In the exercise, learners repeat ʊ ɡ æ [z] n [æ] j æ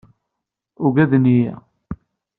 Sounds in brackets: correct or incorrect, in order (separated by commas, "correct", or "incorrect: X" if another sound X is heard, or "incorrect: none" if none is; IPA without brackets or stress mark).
incorrect: ð, incorrect: i